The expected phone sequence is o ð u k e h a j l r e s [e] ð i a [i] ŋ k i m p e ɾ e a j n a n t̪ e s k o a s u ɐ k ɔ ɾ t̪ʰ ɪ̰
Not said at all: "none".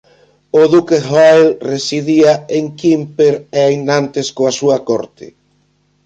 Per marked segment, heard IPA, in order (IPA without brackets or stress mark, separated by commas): i, e